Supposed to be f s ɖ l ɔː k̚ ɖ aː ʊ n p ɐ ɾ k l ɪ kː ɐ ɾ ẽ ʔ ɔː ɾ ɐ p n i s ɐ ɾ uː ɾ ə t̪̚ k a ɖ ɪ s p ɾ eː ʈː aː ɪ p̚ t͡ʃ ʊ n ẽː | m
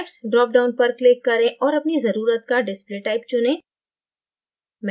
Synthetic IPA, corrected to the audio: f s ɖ ɾ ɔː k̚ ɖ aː ʊ n p ɐ ɾ k l ɪ kː ɐ ɾ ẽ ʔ ɔː ɾ ɐ p n i z ɐ ɾ uː ɾ ə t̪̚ k a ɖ ɪ s p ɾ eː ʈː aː ɪ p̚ t͡ʃ ʊ n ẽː | m